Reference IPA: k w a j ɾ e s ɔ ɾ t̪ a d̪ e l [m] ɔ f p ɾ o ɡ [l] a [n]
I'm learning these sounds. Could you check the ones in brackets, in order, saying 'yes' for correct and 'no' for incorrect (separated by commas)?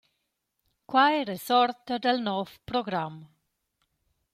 no, no, no